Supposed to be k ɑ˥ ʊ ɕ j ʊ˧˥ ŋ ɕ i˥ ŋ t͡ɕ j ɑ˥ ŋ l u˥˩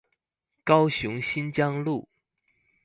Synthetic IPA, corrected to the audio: k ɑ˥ ʊ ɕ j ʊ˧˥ ŋ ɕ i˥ n t͡ɕ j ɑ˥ ŋ l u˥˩